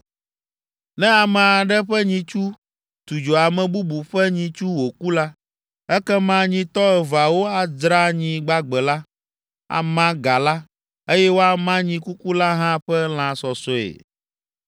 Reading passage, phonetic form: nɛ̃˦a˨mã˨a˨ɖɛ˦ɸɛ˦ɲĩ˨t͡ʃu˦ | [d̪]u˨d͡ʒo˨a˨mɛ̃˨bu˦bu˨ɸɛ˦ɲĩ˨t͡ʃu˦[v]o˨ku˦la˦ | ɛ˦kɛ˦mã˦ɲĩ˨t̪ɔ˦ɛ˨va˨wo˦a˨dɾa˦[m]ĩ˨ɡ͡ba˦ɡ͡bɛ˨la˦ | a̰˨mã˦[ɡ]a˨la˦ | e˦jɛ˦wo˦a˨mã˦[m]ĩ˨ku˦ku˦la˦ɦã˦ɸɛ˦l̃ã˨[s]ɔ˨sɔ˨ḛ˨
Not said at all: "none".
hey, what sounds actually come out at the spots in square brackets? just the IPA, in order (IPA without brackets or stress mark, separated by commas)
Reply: t̪, w, ɲ, ɡ, ɲ, s